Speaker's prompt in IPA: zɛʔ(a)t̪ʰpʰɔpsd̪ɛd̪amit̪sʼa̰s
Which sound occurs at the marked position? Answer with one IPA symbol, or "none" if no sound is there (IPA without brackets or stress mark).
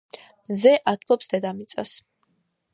a